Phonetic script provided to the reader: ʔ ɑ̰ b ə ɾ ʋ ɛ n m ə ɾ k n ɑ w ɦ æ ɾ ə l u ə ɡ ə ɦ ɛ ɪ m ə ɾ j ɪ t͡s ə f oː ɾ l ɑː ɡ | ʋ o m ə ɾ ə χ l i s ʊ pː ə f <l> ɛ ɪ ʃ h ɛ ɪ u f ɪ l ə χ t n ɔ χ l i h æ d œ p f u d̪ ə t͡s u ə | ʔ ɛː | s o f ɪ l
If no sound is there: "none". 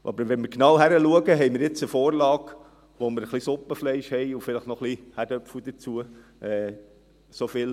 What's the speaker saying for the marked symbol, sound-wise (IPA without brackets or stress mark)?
l